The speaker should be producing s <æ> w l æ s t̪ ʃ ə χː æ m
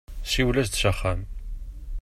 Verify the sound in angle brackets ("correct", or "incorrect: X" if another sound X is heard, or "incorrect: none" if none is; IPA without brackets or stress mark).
incorrect: i